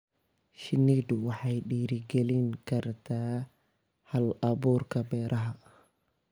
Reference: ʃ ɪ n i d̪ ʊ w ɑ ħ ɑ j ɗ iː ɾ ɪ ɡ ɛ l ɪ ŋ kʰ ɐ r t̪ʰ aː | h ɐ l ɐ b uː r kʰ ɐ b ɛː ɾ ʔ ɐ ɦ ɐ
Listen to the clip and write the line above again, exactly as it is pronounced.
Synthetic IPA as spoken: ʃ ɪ n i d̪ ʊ w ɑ ħ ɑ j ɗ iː ɾ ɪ ɡ ɛ l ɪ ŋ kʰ ɐ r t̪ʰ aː | h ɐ l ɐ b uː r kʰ ɐ b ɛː ɾ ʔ ɐ ɦ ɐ